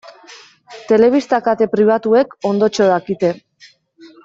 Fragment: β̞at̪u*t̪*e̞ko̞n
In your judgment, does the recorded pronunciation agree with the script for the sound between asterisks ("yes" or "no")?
no